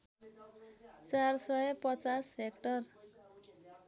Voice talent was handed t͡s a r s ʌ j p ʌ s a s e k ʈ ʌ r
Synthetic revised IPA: t͡s a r s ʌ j p ʌ t͡s a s e k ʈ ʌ r